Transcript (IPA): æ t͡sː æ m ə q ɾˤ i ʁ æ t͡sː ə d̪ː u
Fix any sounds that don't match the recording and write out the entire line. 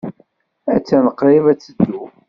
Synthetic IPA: æ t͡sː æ n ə q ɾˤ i v æ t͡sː ə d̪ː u